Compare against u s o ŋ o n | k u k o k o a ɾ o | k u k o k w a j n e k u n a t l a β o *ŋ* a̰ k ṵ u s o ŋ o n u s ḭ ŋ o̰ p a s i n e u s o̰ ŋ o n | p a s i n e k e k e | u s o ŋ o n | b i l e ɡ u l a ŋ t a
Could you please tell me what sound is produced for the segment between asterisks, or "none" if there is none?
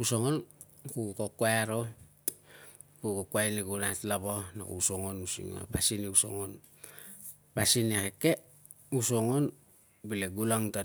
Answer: n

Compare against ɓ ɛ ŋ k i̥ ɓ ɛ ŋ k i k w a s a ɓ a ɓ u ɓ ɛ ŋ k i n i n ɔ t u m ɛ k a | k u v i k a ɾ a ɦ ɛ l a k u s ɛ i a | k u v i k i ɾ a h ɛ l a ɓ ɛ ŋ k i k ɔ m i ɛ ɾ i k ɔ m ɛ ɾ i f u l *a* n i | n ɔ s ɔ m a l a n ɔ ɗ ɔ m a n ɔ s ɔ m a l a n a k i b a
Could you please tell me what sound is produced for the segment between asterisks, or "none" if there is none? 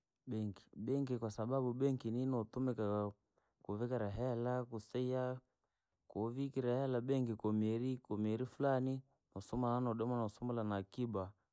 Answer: a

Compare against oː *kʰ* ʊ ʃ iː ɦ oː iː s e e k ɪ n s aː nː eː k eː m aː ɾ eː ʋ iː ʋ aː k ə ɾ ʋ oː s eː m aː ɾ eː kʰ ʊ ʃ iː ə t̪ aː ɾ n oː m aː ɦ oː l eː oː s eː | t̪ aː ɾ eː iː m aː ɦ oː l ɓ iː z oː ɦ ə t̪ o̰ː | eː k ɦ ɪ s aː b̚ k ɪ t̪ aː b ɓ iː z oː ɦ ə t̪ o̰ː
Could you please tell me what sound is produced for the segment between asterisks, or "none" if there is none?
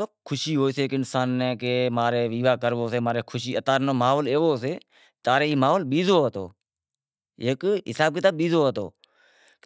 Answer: kʰ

